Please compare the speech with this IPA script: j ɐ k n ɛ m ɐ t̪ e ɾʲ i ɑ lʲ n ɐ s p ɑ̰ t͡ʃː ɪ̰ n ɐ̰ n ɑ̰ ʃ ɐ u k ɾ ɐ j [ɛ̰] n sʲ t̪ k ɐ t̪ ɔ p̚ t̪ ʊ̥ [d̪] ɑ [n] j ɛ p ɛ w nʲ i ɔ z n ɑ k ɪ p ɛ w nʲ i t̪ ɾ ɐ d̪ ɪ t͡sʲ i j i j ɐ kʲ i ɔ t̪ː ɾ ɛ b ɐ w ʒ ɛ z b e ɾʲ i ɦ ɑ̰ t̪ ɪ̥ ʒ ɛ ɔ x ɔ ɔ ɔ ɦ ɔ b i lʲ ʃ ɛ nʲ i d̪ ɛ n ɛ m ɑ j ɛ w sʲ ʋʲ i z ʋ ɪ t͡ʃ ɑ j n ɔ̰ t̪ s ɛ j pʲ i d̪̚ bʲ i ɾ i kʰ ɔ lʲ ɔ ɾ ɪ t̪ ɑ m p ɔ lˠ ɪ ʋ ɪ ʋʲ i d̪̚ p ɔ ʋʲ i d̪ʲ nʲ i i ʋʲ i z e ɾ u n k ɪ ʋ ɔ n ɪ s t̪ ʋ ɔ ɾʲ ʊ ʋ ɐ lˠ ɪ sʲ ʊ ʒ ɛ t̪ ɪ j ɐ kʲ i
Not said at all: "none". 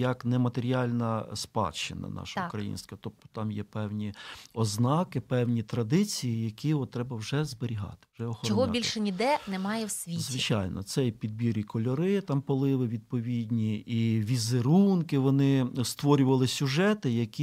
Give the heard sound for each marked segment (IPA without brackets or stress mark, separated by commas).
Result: ḭ, t̪, m